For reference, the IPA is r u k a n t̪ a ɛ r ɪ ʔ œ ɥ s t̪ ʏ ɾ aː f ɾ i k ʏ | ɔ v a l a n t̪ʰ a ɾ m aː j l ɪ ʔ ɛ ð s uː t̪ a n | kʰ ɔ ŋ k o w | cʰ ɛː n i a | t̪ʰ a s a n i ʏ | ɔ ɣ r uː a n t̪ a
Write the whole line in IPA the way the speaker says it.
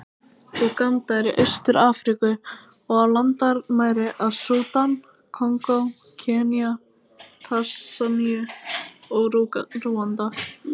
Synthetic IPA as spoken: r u k a n t̪ a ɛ ɾ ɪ ʔ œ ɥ s t̪ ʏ ɾ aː f ɾ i k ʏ | ɔ ɣ a l a n t̪ a ɾ m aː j ɾ ɪ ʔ a ð s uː t̪ a n | kʰ ɔ ŋ k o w | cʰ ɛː n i a | t̪ʰ a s a n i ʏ | ɔ ɣ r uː a n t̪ a